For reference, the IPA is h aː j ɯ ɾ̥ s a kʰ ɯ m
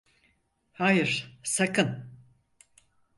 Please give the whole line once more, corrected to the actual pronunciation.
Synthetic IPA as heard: h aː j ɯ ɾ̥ s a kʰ ɯ n